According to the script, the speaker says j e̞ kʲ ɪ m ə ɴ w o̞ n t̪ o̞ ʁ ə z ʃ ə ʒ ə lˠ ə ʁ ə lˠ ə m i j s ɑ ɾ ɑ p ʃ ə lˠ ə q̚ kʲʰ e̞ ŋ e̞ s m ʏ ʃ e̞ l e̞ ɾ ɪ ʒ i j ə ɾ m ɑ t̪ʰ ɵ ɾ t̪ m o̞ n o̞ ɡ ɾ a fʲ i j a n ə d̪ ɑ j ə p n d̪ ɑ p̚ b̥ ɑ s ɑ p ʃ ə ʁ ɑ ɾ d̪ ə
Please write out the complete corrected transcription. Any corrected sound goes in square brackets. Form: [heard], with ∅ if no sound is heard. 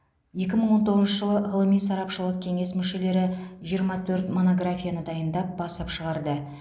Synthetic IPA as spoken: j e̞ kʲ ɪ m ə ɴ w o̞ n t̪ o̞ ʁ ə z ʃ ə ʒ ə lˠ ə ʁ ə lˠ ə m i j s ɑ ɾ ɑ p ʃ ə lˠ ə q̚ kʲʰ e̞ ŋ e̞ s m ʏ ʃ e̞ l e̞ ɾ ɪ ʒ i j ə ɾ m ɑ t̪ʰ ɵ ɾ t̪ m o̞ n o̞ ɡ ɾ a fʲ i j a n ə d̪ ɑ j ə [∅] n d̪ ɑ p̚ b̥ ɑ s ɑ p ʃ ə ʁ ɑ ɾ d̪ ə